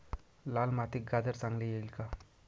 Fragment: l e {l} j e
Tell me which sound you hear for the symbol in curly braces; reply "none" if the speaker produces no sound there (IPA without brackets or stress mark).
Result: none